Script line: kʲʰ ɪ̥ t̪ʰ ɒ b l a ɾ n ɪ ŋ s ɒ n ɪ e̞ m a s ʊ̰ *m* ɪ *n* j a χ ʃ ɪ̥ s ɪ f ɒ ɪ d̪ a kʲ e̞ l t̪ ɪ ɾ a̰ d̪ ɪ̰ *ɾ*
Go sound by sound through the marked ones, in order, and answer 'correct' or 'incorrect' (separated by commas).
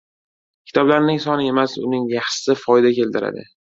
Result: incorrect, incorrect, incorrect